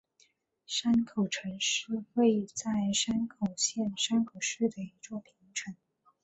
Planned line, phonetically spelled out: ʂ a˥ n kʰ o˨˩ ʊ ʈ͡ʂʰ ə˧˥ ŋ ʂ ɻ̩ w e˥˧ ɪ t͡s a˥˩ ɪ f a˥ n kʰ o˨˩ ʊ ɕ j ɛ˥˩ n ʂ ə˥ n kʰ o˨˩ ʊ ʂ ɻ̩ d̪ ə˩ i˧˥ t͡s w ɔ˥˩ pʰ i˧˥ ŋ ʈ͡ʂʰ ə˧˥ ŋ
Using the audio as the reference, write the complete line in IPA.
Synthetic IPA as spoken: ʂ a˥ n kʰ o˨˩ ʊ ʈ͡ʂʰ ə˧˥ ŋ ʂ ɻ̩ w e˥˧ ɪ t͡s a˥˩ ɪ ʂ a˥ n kʰ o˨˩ ʊ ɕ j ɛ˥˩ n ʂ a˥ n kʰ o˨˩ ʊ ʂ ɻ̩ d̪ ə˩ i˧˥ t͡s w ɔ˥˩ pʰ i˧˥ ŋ ʈ͡ʂʰ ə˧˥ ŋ